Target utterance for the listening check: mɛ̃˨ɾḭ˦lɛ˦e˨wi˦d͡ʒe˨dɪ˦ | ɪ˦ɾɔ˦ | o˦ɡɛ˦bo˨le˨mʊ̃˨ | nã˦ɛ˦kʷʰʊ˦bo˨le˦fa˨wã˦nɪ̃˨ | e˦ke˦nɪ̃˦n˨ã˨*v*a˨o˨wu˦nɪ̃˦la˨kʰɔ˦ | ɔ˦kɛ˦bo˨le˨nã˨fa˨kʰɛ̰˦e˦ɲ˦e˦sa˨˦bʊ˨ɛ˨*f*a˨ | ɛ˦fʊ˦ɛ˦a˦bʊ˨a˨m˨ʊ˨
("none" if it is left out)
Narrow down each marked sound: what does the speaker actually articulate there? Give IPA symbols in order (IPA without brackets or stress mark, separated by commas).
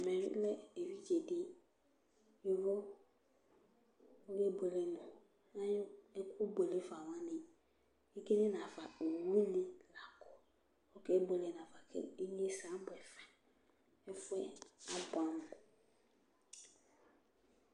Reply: f, f